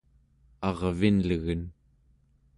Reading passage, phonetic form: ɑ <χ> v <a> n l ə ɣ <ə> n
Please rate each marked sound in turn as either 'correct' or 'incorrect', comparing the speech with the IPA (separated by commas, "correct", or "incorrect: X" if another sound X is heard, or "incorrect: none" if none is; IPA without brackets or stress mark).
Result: incorrect: ʁ, incorrect: i, correct